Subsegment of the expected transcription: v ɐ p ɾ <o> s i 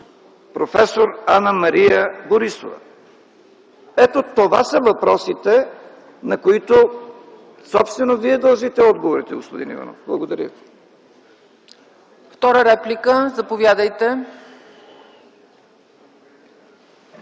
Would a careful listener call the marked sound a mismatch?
yes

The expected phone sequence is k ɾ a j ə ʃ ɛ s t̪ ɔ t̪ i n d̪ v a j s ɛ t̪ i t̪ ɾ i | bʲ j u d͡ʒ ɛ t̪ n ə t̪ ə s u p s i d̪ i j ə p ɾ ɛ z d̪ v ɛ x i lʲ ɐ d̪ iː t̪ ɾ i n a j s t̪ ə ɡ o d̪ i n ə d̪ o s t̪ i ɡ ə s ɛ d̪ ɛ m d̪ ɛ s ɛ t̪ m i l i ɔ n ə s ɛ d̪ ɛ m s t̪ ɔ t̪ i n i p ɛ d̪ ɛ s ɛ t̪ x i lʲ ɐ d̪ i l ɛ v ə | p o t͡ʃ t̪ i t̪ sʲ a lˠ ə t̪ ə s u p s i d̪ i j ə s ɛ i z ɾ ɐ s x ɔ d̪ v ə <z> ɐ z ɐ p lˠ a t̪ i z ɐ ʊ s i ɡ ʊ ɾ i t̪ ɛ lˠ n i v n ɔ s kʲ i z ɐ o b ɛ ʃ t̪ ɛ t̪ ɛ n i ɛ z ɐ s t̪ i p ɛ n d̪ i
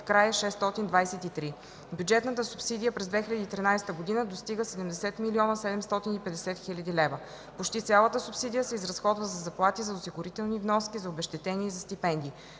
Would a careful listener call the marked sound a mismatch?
no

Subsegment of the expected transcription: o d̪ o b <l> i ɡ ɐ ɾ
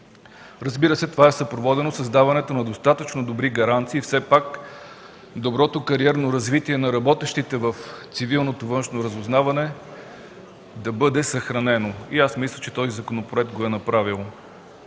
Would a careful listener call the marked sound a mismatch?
yes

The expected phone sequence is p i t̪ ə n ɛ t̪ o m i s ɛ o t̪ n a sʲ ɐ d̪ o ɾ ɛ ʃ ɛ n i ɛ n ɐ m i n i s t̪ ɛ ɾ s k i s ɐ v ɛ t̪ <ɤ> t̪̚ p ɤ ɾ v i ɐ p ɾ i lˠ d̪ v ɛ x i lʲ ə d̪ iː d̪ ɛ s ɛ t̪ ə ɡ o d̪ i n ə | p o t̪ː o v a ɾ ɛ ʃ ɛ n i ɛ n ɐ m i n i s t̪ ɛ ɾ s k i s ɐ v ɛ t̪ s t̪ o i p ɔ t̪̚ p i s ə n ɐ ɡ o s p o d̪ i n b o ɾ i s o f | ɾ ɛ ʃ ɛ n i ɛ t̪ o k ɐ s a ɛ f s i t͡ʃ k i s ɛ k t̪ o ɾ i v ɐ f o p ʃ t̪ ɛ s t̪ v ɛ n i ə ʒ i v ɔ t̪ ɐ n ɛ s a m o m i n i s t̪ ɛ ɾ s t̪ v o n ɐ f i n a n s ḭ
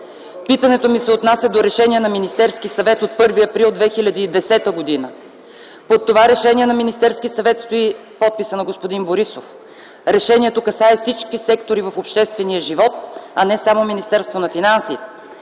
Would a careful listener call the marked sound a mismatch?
yes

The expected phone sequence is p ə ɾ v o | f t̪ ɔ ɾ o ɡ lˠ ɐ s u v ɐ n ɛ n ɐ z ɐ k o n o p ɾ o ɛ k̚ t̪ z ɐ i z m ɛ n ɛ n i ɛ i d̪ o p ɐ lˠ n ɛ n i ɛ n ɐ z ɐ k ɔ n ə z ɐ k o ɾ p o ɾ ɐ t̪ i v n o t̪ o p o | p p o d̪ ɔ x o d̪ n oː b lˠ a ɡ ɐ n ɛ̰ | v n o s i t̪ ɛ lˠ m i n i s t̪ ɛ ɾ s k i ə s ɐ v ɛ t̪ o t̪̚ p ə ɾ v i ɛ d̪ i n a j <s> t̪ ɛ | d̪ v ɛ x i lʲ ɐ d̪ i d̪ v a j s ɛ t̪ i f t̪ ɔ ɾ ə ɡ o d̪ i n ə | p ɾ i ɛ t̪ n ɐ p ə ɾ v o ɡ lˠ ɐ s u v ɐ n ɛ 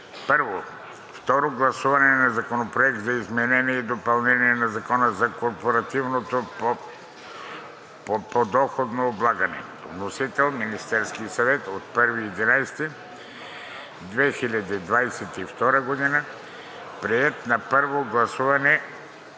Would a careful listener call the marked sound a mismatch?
no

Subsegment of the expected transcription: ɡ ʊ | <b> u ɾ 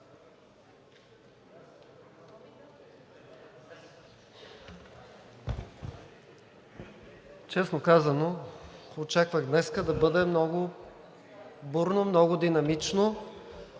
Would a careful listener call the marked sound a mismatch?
no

